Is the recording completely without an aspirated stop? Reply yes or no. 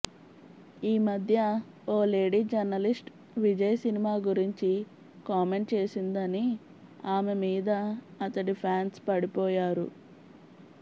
no